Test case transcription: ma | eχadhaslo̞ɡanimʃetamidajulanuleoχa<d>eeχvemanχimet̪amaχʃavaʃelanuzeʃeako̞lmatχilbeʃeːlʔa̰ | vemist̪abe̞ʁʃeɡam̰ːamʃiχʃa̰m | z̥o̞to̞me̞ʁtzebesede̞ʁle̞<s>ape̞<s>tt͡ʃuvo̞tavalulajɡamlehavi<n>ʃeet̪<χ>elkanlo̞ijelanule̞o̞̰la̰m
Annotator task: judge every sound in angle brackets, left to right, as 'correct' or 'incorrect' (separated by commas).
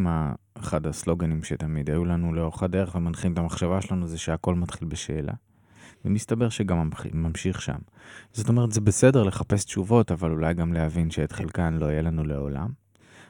correct, incorrect, correct, correct, correct